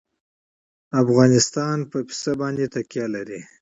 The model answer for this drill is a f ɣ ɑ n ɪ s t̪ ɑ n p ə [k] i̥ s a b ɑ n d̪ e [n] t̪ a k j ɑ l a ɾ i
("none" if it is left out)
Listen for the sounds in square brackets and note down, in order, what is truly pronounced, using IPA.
p, none

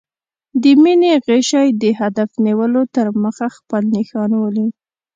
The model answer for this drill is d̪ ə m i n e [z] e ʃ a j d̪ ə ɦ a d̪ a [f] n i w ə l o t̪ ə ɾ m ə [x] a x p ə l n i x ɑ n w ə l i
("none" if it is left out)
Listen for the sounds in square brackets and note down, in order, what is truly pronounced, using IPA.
ɣ, f, x

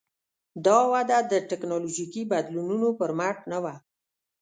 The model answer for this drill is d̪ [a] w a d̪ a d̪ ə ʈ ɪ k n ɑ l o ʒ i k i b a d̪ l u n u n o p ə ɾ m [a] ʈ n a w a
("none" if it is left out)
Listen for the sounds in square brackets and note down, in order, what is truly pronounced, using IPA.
ɑ, a

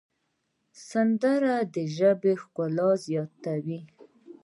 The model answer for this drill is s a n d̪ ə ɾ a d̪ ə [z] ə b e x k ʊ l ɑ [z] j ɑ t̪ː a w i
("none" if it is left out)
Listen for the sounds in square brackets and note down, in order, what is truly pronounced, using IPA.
ʒ, z

